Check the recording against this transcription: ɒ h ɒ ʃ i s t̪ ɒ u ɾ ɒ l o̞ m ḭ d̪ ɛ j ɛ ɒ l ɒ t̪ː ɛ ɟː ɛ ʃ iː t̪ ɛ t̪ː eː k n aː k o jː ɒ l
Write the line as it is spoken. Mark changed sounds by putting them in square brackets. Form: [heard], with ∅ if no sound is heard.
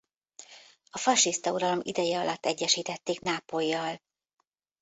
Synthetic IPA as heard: ɒ [f] ɒ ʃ i s t̪ ɒ u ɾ ɒ l o̞ m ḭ d̪ ɛ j ɛ ɒ l ɒ t̪ː ɛ ɟː ɛ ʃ iː t̪ ɛ t̪ː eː k n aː [p] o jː ɒ l